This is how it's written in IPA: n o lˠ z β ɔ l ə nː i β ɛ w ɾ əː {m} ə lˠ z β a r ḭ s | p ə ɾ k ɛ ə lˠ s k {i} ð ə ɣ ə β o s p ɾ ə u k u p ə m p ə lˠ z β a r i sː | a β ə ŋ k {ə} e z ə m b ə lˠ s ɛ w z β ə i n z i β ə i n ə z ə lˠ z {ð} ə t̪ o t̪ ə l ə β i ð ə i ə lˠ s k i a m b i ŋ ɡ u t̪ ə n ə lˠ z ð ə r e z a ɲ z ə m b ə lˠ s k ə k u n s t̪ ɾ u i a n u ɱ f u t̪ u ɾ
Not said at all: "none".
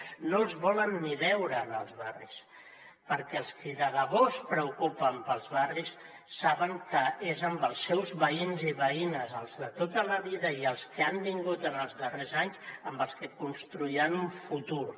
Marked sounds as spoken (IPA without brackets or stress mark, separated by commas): n, i, ə, ð